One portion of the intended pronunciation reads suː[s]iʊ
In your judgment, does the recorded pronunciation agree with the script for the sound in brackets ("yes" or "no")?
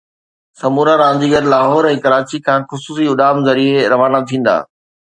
yes